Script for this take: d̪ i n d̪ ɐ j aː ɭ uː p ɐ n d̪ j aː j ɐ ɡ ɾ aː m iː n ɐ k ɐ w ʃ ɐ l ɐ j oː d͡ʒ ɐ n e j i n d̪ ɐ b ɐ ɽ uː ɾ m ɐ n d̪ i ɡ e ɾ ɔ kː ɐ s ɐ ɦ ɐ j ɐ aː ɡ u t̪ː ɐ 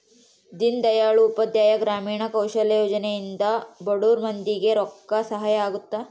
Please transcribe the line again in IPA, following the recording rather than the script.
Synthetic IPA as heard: d̪ i n d̪ ɐ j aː ɭ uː p ɐ d̪ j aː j ɐ ɡ ɾ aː m iː ɳ ɐ k ɐ w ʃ ɐ l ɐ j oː d͡ʒ ɐ n e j i n d̪ ɐ b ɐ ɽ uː ɾ m ɐ n d̪ i ɡ e ɾ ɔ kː ɐ s ɐ ɦ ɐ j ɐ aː ɡ u t̪ː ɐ